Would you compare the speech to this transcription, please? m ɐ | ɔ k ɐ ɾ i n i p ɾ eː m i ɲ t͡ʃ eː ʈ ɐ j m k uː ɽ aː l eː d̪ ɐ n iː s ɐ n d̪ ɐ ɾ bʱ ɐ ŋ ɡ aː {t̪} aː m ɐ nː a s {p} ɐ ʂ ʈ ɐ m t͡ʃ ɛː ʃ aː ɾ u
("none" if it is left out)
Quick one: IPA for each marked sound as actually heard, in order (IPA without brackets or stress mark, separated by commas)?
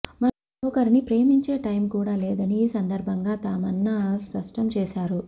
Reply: t̪, p